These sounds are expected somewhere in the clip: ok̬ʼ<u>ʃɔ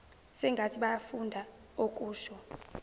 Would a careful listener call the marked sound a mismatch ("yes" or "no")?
yes